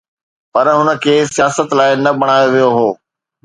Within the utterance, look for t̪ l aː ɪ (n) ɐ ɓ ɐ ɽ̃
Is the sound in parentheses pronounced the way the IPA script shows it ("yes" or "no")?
yes